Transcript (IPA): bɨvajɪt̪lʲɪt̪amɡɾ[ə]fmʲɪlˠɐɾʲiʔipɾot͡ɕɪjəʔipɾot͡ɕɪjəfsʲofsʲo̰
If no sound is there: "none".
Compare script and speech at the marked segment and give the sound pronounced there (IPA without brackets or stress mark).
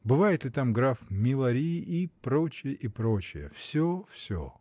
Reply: a